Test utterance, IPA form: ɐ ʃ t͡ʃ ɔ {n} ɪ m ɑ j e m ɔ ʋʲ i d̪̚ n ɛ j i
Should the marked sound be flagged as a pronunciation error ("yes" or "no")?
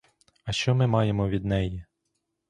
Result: yes